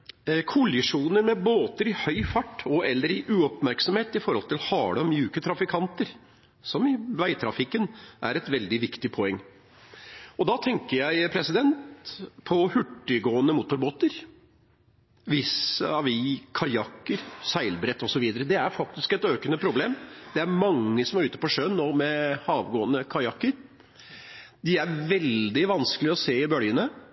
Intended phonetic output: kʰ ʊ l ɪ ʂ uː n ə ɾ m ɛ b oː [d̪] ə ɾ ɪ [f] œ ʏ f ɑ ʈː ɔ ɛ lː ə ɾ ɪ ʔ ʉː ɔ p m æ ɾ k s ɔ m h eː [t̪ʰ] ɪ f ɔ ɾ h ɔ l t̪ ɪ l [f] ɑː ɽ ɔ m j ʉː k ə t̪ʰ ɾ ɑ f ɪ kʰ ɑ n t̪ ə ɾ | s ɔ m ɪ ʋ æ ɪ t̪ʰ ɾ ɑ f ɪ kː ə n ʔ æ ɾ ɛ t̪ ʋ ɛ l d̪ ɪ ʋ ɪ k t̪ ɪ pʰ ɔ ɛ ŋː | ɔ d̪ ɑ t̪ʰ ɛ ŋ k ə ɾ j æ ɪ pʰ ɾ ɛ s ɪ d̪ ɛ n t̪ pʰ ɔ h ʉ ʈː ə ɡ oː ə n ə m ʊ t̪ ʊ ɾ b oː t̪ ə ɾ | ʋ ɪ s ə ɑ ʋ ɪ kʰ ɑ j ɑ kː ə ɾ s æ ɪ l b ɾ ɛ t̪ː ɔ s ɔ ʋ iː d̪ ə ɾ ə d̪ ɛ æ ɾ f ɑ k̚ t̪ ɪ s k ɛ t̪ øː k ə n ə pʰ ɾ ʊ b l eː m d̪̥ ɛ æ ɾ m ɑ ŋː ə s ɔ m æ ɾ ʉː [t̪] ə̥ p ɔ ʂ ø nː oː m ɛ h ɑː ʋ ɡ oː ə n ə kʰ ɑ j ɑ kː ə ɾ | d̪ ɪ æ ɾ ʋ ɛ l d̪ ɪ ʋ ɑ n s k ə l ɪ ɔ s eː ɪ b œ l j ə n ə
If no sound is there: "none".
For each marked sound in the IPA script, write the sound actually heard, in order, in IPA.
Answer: t̪, h, t̪, h, t̪

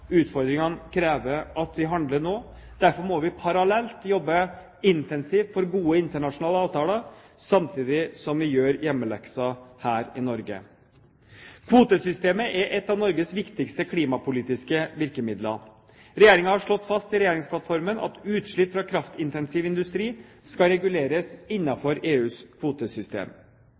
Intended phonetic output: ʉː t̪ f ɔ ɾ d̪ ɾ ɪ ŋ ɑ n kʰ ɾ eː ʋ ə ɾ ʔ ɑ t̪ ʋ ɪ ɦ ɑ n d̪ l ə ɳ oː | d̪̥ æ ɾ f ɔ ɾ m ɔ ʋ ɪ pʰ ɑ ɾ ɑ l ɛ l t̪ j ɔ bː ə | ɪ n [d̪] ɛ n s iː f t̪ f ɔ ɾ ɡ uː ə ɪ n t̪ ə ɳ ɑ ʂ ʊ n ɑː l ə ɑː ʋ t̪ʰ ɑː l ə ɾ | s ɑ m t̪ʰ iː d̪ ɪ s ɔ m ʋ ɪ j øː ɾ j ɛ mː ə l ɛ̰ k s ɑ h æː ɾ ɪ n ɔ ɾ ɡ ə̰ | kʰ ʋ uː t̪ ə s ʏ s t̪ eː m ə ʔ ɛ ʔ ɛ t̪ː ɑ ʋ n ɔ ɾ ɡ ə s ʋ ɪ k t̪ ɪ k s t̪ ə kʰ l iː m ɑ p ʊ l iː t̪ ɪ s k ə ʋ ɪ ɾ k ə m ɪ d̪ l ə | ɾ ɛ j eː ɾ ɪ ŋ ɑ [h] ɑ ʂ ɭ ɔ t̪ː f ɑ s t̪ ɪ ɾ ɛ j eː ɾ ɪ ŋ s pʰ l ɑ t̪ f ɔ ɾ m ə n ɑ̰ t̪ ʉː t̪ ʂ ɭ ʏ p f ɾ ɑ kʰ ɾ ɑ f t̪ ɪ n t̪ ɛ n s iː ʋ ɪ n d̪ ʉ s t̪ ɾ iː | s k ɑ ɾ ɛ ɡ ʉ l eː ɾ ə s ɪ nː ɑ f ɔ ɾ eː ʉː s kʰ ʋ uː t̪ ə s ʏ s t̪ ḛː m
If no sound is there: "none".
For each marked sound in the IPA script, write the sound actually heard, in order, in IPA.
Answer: t̪, h

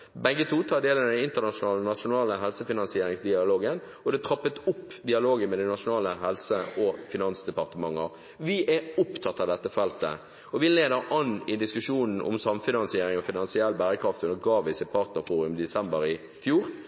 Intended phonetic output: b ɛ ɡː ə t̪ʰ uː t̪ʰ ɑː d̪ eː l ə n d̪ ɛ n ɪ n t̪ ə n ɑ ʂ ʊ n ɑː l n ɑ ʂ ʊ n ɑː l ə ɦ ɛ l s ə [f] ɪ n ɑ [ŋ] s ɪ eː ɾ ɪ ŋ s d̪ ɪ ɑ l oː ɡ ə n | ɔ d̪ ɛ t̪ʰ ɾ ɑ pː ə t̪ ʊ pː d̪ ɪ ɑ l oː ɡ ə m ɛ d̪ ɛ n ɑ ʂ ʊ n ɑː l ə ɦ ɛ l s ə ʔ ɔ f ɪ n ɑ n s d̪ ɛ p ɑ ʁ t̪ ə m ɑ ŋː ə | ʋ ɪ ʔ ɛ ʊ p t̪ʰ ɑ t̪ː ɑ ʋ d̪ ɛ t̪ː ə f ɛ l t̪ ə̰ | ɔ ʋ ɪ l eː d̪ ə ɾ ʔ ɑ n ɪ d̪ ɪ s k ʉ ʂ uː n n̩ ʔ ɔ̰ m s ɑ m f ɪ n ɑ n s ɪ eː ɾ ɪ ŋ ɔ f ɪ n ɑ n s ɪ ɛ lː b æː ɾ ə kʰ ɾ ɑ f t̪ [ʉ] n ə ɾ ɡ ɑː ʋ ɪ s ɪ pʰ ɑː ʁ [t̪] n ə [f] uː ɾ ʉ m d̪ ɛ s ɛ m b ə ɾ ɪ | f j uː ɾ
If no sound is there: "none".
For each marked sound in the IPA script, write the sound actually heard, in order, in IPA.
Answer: f, n, ʉ, t̪, f

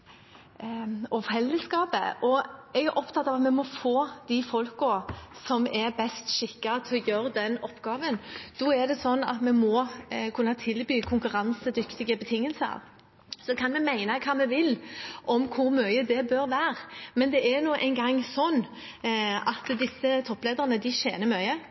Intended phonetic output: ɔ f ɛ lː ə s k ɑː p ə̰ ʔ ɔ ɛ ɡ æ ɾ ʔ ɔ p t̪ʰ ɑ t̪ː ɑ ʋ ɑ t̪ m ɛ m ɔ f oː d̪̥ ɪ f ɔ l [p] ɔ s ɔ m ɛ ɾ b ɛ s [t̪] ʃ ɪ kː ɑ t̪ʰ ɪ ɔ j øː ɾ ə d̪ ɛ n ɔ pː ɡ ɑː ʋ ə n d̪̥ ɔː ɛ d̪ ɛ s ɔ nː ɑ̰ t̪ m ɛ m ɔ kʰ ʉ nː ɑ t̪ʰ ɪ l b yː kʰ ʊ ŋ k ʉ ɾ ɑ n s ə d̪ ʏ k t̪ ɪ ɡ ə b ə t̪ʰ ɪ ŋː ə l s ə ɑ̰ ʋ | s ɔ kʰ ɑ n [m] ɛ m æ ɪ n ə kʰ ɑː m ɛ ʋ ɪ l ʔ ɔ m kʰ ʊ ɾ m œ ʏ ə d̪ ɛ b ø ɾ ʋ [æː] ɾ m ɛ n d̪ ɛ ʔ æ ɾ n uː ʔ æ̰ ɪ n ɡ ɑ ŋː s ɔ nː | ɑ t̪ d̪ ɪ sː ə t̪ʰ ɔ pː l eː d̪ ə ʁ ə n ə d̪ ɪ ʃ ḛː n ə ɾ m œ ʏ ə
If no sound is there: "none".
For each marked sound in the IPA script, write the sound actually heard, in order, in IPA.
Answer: k, t̪, m, æː

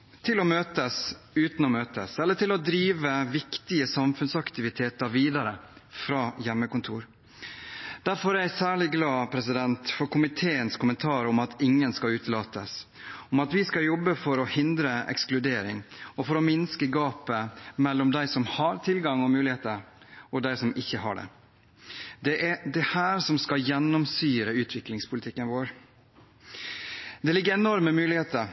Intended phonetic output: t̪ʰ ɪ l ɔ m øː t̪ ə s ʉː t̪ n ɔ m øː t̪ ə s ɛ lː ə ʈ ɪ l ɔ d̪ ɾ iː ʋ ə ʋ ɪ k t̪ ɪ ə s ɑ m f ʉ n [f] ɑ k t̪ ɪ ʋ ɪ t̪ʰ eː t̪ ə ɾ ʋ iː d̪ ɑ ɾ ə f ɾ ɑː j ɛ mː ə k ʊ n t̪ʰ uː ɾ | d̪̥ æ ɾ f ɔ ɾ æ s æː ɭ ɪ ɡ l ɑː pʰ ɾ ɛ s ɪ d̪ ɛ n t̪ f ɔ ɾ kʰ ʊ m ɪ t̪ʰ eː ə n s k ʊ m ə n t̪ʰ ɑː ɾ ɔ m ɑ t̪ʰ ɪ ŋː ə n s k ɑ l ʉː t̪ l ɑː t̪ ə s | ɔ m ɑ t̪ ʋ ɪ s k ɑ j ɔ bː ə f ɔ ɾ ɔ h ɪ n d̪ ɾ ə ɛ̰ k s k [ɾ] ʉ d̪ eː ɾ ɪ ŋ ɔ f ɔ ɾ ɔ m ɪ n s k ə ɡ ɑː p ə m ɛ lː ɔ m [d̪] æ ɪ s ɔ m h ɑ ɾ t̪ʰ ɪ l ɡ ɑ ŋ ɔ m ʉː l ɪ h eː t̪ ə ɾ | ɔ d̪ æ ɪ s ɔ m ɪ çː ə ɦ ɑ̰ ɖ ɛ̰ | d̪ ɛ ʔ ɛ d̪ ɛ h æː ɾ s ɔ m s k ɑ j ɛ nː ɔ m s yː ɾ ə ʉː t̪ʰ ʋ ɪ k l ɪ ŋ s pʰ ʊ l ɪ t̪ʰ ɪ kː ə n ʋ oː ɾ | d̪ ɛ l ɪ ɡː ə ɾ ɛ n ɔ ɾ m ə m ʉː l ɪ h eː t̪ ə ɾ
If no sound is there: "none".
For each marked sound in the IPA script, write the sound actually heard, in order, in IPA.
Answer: s, l, d̪

